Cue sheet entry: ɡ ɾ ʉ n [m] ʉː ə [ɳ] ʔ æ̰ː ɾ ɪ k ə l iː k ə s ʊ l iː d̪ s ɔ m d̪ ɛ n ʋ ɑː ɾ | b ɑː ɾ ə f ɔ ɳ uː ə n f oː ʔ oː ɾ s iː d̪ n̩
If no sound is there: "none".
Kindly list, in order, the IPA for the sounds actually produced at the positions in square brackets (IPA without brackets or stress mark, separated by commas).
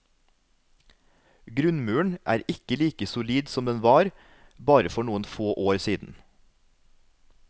m, ɳ